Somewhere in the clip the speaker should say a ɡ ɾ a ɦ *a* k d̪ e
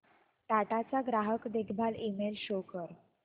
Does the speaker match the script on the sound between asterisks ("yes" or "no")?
no